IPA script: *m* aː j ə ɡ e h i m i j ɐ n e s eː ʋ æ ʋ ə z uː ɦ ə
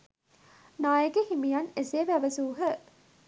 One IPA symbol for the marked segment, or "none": n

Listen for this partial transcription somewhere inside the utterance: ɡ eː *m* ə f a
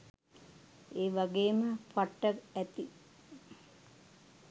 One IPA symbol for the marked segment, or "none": m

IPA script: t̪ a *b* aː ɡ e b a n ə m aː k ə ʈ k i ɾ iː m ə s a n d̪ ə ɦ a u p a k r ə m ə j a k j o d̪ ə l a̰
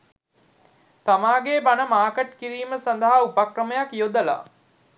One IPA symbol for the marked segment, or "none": m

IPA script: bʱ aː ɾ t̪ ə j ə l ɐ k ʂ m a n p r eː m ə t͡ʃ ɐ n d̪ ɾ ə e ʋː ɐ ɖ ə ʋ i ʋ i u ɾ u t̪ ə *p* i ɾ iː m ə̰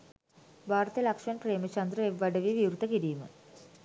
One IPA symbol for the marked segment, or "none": k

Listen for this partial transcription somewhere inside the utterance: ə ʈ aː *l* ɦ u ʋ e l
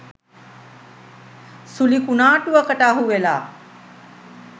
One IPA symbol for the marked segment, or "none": none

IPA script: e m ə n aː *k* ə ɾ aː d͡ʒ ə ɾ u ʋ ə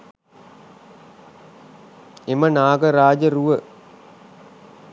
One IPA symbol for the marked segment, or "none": ɡ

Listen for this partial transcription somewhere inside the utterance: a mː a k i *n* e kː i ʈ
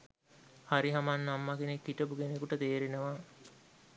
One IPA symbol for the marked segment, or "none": n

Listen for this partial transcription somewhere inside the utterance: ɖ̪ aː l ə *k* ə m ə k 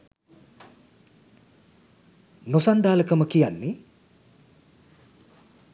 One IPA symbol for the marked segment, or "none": k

